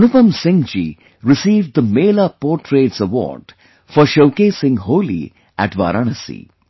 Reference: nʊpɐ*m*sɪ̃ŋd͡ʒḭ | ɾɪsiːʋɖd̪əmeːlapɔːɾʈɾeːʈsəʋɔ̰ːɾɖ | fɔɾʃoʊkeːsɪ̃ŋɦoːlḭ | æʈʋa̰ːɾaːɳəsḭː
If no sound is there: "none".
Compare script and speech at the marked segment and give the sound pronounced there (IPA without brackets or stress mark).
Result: m